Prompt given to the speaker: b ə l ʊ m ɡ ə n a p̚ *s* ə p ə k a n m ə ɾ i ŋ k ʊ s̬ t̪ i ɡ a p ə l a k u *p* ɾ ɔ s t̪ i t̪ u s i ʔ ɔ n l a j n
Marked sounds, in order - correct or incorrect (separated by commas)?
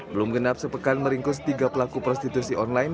correct, correct